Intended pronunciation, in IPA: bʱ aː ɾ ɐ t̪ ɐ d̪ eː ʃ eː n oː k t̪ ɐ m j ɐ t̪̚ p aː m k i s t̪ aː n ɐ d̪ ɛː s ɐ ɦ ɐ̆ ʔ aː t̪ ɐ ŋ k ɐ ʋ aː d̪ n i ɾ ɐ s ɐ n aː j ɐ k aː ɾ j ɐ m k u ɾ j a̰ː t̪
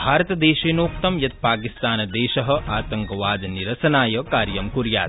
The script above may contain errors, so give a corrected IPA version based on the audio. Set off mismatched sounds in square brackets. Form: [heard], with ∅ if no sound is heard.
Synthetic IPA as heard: bʱ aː ɾ ɐ t̪ ɐ d̪ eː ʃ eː n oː k t̪ ɐ m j ɐ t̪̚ p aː [∅] k i s t̪ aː n ɐ d̪ ɛː [ʃ] ɐ ɦ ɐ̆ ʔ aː t̪ ɐ ŋ k ɐ ʋ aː d̪ n i ɾ ɐ s ɐ n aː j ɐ k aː ɾ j ɐ m k u ɾ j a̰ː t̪